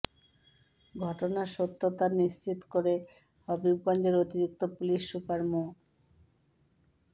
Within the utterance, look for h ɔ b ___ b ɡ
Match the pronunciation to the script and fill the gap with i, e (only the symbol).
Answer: i